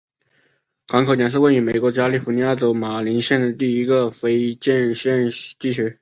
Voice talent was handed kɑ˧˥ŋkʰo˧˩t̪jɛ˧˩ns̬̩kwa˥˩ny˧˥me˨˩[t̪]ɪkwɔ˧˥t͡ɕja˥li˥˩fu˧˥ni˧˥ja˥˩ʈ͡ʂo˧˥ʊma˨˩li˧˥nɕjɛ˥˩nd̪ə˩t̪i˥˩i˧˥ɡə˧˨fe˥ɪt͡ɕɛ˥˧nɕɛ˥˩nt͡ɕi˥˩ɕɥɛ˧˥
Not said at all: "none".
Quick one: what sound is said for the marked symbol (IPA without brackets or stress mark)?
none